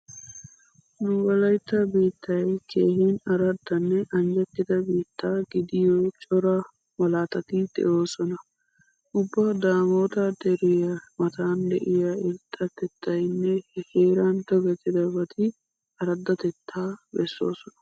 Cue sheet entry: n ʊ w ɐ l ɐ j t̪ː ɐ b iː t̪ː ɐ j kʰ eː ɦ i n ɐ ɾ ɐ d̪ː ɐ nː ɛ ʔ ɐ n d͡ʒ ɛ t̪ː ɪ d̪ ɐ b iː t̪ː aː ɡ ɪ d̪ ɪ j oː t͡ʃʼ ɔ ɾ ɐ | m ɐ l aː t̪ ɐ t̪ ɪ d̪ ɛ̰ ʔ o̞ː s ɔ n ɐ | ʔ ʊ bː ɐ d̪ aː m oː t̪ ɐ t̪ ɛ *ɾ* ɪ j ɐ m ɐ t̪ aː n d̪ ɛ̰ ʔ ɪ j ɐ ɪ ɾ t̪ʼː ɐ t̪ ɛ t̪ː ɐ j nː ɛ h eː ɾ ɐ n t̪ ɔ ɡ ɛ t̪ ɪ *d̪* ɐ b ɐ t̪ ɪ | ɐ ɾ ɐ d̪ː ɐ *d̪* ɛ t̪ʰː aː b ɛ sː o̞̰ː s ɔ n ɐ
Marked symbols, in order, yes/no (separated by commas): yes, yes, no